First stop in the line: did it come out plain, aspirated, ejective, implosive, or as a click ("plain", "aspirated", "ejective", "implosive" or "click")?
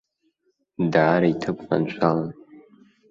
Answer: plain